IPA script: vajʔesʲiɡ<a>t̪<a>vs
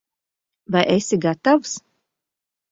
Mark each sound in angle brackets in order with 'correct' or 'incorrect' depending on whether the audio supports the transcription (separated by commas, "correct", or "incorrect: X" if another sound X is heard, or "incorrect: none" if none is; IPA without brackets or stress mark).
correct, correct